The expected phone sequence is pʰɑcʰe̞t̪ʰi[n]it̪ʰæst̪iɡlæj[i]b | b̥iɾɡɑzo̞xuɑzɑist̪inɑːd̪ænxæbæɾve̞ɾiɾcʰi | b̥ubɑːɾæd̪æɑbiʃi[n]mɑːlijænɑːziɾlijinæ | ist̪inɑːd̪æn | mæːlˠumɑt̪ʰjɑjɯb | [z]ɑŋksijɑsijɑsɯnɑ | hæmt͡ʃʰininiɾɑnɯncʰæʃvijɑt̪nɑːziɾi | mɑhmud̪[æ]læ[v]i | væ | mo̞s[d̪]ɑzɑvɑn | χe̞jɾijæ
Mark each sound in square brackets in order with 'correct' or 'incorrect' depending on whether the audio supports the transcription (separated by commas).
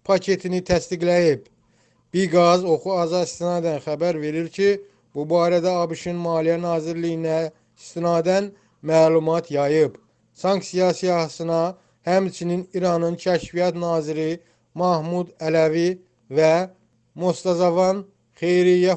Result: correct, correct, correct, incorrect, correct, correct, incorrect